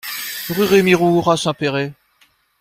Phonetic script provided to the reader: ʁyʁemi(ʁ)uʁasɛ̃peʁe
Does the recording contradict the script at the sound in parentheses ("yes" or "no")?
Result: no